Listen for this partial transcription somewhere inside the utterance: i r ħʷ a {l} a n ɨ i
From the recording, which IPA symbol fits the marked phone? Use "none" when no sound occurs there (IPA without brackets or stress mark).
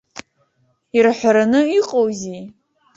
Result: ɾ